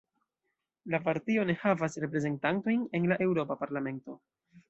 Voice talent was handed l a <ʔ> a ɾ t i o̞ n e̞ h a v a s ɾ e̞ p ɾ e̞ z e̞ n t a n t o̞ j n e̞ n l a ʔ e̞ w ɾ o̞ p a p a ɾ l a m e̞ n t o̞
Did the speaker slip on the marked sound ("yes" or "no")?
yes